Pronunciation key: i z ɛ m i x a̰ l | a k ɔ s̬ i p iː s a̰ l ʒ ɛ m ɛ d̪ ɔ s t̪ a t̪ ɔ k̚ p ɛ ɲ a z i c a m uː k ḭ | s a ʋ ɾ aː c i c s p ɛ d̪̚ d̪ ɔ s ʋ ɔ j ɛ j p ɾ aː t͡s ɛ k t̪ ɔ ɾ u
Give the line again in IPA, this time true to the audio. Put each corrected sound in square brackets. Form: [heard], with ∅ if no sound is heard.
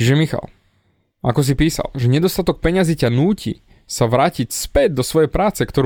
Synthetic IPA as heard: i [ʒ] ɛ m i x a̰ l | a k ɔ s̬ i p iː s a̰ l ʒ ɛ [ɲ] ɛ d̪ ɔ s t̪ a t̪ ɔ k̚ p ɛ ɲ a z i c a [n] uː [c] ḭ | s a ʋ ɾ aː c i c s p ɛ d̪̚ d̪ ɔ s ʋ ɔ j ɛ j p ɾ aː t͡s ɛ k t̪ ɔ ɾ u